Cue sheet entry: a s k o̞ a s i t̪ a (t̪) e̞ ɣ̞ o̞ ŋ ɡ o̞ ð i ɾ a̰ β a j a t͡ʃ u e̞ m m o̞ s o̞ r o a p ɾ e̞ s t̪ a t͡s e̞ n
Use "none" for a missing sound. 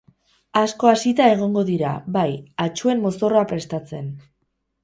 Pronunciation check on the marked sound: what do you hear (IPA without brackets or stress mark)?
none